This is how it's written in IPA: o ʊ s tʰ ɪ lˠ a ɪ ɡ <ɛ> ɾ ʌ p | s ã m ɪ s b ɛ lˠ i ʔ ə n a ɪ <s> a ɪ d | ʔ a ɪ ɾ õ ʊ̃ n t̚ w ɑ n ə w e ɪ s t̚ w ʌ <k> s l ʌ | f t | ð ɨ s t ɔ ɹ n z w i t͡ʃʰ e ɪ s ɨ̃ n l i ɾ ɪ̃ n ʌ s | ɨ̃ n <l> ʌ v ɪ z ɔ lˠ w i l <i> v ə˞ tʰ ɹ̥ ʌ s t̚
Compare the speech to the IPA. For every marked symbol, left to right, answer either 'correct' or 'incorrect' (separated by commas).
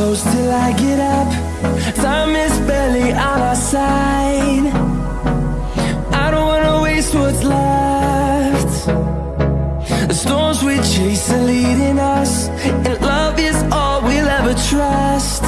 correct, correct, incorrect, correct, incorrect